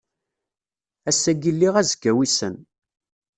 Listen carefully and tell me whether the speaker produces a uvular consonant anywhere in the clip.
yes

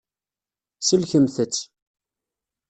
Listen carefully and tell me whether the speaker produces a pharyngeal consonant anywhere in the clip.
no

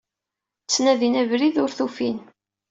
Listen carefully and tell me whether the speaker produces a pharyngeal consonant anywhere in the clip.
no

